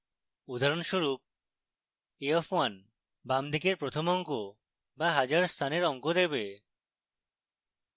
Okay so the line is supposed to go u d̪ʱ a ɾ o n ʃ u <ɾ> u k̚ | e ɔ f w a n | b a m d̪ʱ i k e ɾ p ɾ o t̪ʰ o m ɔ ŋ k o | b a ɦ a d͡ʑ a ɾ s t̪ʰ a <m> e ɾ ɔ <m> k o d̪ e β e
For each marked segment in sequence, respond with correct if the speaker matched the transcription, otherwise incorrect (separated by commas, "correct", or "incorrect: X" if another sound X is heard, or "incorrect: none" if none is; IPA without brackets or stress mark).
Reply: correct, incorrect: n, incorrect: ŋ